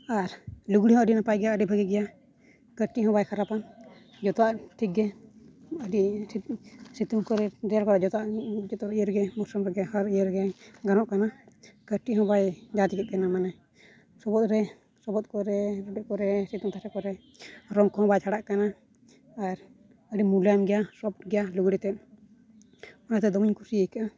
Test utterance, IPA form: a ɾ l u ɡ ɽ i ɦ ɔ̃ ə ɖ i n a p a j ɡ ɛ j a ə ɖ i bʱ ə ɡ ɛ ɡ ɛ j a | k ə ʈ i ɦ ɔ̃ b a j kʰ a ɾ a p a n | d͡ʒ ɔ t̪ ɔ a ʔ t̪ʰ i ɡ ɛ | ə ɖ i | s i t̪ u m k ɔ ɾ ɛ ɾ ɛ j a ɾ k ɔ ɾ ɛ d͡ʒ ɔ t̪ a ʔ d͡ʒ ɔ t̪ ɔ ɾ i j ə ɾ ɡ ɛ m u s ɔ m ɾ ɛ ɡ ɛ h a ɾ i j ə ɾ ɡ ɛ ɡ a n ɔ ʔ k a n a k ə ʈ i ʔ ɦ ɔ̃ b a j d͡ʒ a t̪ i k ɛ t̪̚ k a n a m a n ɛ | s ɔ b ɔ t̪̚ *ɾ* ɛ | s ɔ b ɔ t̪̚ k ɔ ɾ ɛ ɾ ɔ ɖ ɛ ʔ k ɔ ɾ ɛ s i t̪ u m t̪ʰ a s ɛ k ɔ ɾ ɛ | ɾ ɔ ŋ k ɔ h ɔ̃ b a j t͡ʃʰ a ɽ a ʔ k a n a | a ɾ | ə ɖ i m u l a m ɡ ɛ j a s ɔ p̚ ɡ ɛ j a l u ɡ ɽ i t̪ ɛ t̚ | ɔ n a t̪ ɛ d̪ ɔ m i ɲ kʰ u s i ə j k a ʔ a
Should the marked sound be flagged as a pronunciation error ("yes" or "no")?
no